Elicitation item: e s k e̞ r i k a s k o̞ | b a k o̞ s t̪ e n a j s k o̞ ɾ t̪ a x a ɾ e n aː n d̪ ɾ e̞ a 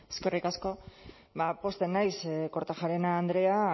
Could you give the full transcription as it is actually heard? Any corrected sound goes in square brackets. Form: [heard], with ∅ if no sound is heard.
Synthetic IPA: e s k e̞ r i k a s k o̞ | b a [p] o̞ s t̪ e n a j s k o̞ ɾ t̪ a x a ɾ e n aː n d̪ ɾ e̞ a